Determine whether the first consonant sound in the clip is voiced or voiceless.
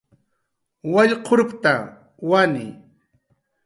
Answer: voiced